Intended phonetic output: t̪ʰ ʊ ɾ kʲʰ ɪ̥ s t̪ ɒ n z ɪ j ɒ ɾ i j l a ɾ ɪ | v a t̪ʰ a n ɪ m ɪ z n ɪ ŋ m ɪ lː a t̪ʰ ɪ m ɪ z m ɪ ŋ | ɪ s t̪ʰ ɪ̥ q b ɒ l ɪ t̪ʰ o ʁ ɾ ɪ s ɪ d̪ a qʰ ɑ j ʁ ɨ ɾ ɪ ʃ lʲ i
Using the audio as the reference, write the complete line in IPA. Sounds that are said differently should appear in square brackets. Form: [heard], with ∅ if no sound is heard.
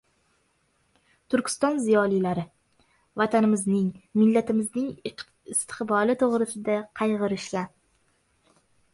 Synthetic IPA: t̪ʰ ʊ ɾ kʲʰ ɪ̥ s t̪ ɒ n z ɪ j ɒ [l] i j l a ɾ ɪ | v a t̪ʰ a n ɪ m ɪ z n ɪ ŋ m ɪ lː a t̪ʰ ɪ m ɪ z [n] ɪ ŋ | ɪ s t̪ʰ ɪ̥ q b ɒ l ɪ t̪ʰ o ʁ ɾ ɪ s ɪ d̪ a qʰ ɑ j ʁ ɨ ɾ ɪ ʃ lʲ [a]